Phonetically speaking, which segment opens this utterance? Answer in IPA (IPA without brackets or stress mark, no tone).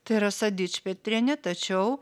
t̪